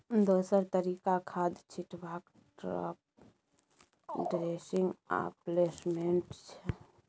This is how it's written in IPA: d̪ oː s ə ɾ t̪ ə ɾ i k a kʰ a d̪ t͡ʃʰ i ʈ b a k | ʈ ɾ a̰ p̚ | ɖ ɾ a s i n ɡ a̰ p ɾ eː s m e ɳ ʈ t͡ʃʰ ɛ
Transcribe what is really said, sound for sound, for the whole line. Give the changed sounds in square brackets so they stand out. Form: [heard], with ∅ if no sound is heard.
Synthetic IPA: d̪ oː s ə ɾ t̪ ə ɾ i k a kʰ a d̪ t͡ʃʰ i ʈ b a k | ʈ ɾ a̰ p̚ | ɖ ɾ [e] s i [ŋ] ɡ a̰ p [l] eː s m e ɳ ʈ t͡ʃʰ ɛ